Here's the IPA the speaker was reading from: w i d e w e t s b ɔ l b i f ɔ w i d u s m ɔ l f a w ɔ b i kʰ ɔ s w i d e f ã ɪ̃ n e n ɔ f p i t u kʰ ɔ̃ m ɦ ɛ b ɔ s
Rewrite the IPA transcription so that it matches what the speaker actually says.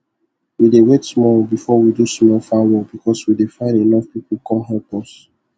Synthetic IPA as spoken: w i d e w e t s m ɔ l b i f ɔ w i d u s m ɔ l f a w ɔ b i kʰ ɔ s w i d e f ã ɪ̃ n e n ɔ f p i p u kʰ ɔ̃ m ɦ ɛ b ɔ s